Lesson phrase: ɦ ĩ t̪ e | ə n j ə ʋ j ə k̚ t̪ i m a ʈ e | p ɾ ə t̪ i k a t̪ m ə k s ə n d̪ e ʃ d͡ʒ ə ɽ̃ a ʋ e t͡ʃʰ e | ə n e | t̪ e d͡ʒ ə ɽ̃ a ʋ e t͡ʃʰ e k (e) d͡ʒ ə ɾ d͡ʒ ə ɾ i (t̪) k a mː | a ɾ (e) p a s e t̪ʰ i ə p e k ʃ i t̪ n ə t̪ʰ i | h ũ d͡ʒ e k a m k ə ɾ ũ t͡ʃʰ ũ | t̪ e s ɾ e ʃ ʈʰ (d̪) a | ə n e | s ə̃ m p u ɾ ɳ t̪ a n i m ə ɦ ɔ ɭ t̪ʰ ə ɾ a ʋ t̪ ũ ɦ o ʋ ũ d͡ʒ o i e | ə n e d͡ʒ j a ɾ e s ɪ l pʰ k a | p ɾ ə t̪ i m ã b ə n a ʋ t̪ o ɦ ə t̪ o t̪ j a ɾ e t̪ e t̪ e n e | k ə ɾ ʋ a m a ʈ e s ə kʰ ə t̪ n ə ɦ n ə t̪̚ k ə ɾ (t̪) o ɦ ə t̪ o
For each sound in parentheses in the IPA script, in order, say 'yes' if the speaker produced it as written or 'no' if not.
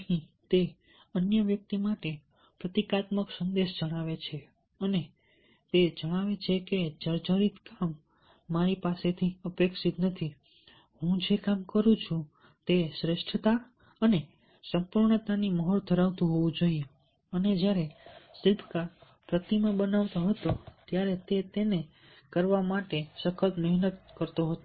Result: yes, yes, no, no, yes

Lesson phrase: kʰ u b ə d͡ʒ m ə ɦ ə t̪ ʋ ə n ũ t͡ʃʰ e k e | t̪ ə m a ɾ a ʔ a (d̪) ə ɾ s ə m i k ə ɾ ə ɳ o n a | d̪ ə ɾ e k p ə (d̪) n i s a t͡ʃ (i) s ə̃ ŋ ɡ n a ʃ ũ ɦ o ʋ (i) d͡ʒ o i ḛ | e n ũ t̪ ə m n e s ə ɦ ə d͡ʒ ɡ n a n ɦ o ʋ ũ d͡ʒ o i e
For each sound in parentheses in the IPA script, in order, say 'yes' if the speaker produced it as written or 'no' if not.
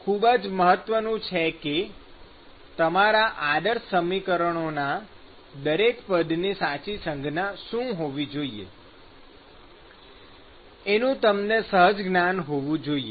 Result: yes, yes, yes, yes

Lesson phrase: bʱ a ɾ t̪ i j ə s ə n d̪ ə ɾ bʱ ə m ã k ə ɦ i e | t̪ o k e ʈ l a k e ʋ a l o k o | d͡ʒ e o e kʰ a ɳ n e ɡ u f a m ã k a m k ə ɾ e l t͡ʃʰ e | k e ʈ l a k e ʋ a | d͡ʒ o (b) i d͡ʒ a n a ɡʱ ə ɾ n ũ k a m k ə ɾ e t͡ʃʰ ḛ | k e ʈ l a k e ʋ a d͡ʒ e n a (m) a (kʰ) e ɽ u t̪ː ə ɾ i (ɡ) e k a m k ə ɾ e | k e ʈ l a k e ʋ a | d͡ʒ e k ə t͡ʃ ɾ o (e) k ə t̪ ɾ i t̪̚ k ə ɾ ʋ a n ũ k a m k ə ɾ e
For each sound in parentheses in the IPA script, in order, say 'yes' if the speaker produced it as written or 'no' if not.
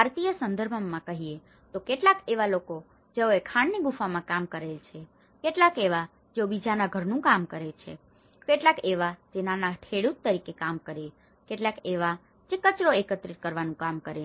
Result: yes, no, no, no, yes

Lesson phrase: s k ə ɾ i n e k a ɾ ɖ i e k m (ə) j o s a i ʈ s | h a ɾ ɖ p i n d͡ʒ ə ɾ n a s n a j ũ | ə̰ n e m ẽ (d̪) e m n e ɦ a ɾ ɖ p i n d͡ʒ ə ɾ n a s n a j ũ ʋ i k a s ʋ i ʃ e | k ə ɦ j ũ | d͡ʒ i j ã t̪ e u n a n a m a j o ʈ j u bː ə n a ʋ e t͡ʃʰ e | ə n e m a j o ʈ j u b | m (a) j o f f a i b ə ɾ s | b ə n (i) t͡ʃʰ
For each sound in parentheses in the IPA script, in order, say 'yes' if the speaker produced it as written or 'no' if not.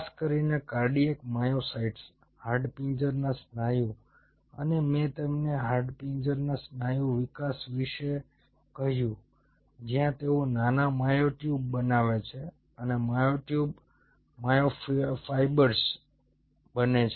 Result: no, no, yes, no

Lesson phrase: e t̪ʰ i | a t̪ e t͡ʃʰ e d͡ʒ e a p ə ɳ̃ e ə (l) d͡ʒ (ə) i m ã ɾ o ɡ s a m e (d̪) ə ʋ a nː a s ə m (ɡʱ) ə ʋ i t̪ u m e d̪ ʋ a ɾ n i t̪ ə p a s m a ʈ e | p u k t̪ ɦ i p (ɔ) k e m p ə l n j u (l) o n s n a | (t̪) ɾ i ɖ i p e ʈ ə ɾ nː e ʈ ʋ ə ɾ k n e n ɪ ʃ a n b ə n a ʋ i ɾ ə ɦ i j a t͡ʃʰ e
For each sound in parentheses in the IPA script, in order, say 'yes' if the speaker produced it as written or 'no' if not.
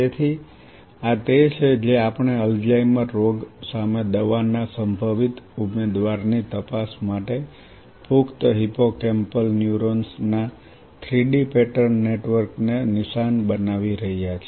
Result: yes, no, yes, no, no, no, no

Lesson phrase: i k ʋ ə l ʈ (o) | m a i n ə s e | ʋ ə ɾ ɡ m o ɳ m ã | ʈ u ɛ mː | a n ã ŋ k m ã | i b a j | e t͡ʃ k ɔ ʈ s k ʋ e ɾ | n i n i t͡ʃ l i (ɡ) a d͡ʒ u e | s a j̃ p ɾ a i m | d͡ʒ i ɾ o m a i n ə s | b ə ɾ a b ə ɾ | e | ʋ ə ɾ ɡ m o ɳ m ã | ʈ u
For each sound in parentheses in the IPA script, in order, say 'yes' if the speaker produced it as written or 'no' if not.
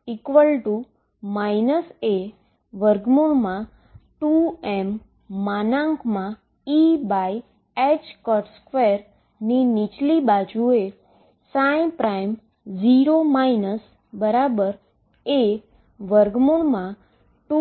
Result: no, no

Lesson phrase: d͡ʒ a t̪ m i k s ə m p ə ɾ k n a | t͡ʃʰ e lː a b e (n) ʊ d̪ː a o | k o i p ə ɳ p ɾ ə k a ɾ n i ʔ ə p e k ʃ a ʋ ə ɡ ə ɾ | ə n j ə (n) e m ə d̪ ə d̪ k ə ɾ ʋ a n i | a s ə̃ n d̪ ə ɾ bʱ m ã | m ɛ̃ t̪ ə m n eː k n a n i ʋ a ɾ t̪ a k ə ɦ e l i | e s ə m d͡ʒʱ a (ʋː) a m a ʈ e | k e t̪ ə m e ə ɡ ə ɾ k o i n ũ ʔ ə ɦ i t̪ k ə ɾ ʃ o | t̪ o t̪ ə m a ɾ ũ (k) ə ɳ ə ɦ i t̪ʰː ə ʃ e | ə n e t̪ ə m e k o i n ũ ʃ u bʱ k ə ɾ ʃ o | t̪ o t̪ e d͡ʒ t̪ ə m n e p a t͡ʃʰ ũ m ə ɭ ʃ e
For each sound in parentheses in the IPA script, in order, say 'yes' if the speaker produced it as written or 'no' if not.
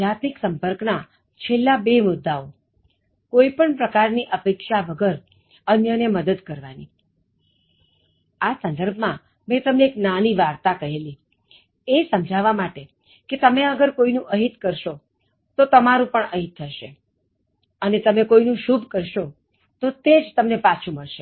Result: no, yes, no, no

